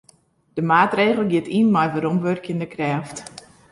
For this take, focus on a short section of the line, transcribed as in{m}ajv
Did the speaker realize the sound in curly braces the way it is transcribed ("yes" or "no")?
yes